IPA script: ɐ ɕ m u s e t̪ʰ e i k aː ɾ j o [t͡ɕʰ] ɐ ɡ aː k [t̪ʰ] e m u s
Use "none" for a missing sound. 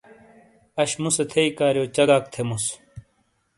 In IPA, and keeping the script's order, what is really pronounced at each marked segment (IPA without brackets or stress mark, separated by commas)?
t͡ɕ, t̪ʰ